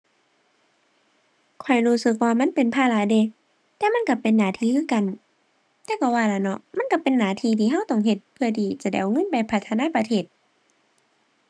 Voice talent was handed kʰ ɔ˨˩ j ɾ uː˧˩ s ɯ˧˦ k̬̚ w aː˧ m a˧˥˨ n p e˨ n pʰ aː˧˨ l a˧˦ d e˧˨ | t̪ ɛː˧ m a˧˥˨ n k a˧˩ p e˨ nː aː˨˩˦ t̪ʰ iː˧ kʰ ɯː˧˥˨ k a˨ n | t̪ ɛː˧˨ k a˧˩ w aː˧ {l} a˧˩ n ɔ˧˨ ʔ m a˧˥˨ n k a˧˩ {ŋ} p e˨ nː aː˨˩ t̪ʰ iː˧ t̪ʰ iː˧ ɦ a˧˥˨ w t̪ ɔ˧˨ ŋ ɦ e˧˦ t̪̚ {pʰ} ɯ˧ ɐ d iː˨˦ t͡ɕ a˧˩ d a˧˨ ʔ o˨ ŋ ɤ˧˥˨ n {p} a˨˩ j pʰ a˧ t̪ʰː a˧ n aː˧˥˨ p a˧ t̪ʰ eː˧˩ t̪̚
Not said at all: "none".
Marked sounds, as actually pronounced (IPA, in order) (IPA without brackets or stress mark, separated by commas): l, none, pʰ, p